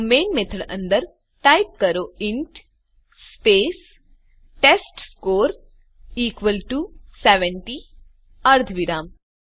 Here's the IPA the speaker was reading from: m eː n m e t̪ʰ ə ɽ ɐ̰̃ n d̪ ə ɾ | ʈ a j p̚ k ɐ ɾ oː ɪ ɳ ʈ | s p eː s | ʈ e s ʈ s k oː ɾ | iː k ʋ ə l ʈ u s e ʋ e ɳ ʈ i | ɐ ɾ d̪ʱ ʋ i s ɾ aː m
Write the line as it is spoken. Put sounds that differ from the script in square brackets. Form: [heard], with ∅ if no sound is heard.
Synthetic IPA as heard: m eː n m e t̪ʰ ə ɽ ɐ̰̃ n d̪ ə ɾ | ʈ a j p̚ k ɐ ɾ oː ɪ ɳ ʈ | s p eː s | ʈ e s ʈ s k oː ɾ | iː k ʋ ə l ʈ u s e ʋ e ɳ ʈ i | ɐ ɾ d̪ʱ ʋ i [∅] ɾ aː m